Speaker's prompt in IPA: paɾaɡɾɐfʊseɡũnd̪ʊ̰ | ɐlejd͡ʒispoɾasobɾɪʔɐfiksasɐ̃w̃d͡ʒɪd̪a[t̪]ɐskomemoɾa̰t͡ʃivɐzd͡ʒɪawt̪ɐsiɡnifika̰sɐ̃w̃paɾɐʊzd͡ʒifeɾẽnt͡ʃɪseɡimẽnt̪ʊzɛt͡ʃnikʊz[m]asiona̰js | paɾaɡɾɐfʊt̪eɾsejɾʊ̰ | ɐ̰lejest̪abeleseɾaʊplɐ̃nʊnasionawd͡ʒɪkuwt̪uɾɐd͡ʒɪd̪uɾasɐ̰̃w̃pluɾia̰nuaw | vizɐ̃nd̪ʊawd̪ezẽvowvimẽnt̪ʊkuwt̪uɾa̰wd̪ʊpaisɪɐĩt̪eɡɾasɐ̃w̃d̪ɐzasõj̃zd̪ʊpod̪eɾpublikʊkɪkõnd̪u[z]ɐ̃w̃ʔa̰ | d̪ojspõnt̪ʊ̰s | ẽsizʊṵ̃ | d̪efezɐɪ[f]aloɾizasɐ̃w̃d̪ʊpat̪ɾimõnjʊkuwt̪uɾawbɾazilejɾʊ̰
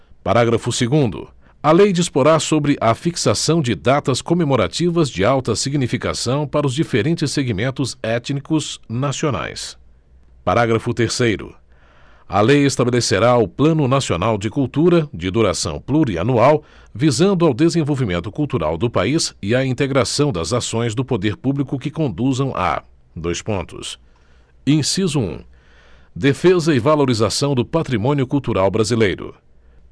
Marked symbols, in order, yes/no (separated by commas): yes, no, yes, no